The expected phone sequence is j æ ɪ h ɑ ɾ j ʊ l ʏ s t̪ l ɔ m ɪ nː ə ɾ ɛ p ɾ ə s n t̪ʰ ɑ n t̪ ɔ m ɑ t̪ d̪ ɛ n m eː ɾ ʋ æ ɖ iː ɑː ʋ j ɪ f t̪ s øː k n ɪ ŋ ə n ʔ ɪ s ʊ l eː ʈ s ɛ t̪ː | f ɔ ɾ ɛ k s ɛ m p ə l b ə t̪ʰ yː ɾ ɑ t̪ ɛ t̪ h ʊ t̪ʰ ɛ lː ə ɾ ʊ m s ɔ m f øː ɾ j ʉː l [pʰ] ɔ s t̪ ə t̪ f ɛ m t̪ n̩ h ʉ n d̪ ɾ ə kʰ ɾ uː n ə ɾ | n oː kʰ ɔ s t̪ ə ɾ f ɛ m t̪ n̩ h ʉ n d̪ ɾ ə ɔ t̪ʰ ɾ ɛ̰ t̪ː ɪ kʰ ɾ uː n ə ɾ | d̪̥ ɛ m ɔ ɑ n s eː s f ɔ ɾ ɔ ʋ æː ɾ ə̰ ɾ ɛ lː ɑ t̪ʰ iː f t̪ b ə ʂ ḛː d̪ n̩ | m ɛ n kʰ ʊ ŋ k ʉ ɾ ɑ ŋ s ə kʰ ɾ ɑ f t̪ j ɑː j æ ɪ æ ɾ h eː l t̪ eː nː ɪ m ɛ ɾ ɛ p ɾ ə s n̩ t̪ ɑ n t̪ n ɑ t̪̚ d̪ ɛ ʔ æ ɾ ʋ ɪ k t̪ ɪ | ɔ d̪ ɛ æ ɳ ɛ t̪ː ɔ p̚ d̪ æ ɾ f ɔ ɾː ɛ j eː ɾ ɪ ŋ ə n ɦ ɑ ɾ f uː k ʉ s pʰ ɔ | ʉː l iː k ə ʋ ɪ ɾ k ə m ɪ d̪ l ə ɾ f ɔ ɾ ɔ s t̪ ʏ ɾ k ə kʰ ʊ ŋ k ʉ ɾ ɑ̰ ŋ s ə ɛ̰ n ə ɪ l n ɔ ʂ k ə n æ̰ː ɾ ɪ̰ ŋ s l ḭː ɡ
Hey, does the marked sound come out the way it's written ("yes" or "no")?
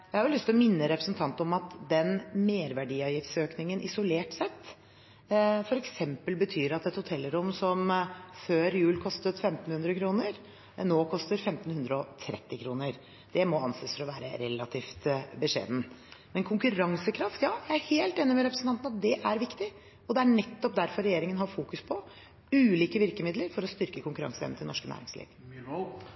no